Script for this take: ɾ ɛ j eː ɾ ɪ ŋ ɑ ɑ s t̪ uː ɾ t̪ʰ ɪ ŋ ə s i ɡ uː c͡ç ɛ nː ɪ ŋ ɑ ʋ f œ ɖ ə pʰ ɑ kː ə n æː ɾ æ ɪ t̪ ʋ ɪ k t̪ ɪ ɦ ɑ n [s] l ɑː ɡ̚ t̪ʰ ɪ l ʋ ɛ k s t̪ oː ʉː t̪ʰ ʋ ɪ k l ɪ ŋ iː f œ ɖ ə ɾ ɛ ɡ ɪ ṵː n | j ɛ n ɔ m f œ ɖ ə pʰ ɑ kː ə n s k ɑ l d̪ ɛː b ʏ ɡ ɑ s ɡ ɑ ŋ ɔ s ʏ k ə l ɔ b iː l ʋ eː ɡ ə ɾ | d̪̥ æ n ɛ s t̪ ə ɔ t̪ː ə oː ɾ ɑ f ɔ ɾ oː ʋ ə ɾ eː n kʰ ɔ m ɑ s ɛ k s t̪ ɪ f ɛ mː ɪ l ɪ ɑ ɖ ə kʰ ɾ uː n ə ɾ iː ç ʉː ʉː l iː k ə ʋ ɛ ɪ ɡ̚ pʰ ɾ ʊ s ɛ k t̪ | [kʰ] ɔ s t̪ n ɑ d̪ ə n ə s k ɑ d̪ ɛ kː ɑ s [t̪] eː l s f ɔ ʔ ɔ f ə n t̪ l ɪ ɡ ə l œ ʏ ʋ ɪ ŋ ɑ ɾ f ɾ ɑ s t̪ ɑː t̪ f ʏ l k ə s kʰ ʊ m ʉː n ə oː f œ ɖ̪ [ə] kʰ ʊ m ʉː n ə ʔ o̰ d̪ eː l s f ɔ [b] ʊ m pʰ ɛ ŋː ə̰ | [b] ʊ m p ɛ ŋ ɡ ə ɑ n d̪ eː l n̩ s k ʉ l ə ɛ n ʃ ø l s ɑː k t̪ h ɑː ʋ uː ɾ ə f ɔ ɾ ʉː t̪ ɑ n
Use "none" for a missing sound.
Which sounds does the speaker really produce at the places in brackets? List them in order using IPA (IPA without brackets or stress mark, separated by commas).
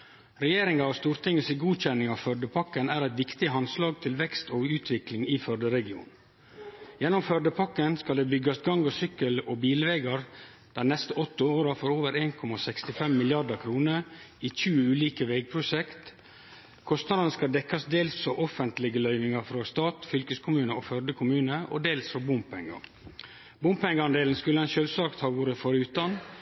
s, kʰ, d̪, ə, b, b